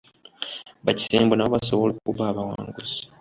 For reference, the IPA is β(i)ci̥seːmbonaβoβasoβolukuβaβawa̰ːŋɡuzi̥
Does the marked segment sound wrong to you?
yes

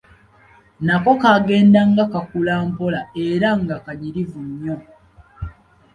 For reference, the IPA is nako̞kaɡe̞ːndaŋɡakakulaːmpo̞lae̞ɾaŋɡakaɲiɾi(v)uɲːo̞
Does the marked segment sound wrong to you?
no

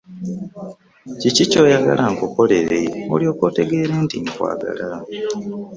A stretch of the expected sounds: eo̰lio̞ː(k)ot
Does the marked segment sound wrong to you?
no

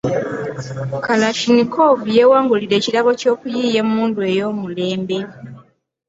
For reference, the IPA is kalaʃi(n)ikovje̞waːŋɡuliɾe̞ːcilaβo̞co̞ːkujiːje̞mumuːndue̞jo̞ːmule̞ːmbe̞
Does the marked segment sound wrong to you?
no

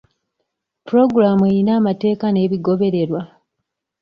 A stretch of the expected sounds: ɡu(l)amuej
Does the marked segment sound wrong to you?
yes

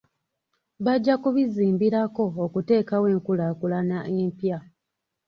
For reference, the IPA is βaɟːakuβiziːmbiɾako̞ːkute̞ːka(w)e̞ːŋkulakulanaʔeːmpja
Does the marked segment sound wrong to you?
no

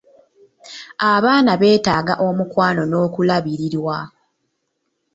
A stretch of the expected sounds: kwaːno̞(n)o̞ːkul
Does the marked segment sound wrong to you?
no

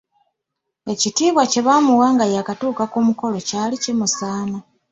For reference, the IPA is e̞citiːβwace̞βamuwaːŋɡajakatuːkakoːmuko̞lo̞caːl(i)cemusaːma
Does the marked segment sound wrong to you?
no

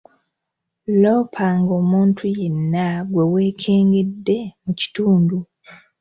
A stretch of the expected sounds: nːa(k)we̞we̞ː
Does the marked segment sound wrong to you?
yes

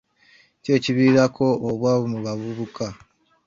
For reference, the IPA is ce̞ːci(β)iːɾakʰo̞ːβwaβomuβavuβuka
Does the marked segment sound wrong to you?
no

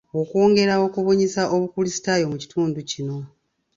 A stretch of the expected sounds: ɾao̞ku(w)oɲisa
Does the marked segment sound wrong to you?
yes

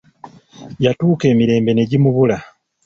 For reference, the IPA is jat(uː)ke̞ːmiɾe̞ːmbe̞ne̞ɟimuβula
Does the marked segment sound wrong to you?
no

